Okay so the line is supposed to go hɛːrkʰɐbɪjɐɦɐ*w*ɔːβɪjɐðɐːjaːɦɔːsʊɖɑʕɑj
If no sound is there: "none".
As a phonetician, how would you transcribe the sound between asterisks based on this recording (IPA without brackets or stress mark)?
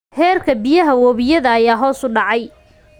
w